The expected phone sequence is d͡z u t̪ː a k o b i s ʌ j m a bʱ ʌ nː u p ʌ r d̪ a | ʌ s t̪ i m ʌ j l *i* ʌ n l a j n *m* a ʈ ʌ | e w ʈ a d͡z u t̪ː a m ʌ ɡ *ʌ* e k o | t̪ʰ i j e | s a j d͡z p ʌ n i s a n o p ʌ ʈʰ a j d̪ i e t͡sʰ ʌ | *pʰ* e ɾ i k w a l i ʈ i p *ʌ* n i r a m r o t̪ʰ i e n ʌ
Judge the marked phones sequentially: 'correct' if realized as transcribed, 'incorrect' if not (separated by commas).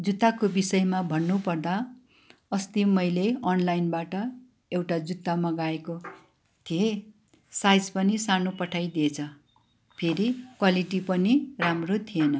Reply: incorrect, incorrect, incorrect, correct, correct